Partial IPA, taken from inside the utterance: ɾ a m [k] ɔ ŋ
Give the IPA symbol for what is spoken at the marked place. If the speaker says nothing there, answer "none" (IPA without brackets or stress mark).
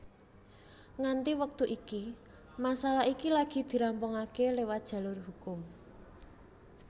p